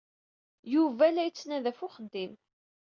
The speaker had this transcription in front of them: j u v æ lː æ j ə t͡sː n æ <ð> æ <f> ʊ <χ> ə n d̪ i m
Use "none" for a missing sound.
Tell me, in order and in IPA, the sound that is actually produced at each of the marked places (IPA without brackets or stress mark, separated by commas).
ð, f, χ